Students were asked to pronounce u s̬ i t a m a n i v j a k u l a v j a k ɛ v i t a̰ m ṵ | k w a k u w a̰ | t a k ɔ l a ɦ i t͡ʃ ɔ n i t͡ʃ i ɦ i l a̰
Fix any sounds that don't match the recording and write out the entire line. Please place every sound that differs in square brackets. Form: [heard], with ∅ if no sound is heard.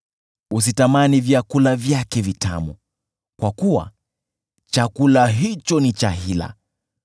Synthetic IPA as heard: u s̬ i t a m a n i v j a k u l a v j a k ɛ v i t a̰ m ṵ | k w a k u w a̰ | [t͡ʃ] a k [u] l a ɦ i t͡ʃ ɔ n i t͡ʃ [a] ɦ i l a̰